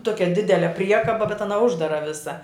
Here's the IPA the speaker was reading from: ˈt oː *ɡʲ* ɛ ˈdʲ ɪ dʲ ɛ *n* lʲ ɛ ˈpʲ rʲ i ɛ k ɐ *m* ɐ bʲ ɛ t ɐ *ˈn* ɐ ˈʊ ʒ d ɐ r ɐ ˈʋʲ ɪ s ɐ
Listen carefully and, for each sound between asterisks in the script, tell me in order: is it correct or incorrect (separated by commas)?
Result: incorrect, incorrect, incorrect, correct